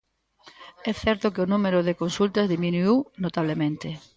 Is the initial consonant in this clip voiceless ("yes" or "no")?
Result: yes